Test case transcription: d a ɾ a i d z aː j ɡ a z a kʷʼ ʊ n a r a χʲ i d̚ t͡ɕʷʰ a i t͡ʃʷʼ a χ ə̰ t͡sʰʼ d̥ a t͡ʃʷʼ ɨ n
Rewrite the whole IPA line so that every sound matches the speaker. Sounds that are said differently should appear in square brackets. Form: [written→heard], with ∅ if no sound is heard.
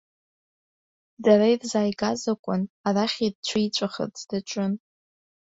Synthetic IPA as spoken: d a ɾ a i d z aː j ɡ a z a kʷʼ ʊ n a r a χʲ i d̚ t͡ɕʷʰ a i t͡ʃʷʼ a χ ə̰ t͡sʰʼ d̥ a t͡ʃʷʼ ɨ n